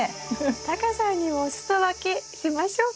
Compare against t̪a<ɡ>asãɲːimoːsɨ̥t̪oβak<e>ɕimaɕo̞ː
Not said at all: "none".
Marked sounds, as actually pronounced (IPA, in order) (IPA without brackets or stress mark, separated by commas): k, e